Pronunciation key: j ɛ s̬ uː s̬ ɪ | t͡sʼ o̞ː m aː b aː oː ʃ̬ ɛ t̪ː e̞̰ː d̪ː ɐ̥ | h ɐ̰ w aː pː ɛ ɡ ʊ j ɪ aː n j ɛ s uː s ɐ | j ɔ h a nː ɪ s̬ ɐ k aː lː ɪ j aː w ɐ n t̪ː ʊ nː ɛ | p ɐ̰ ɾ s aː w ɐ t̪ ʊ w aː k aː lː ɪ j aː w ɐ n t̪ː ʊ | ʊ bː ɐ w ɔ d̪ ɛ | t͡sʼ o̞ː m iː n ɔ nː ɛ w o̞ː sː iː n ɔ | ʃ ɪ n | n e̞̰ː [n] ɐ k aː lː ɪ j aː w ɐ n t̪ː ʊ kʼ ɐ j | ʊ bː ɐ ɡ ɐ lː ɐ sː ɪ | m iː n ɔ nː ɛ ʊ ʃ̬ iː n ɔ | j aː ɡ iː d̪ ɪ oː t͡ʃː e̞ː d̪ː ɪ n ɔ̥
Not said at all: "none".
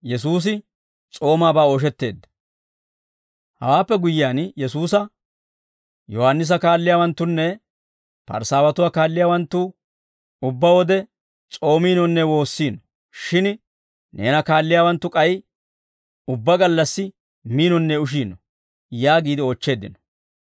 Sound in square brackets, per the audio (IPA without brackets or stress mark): n